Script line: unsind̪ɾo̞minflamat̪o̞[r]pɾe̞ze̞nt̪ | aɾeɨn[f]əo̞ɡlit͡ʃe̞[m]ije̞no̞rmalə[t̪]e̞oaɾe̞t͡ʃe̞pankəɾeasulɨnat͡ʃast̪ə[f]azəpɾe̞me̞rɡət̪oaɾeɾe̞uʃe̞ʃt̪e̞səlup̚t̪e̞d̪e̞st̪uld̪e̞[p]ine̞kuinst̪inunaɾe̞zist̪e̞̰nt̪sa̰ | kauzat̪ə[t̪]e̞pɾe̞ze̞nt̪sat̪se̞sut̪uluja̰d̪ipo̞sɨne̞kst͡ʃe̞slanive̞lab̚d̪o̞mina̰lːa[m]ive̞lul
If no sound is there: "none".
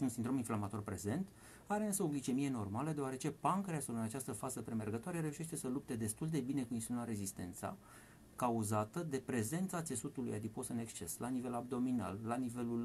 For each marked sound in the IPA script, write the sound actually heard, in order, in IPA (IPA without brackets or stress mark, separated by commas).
r, s, m, d̪, f, b, d̪, n